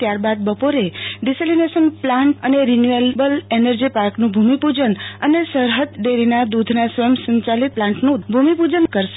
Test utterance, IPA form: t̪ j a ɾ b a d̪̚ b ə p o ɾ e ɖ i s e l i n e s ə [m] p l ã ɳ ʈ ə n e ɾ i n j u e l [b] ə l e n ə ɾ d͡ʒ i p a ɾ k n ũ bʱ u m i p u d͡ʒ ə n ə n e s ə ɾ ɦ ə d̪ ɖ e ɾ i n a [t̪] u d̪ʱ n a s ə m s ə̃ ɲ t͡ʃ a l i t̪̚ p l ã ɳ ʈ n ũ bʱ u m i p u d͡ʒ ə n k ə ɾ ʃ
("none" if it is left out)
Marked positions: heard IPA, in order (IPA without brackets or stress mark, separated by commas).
n, b, d̪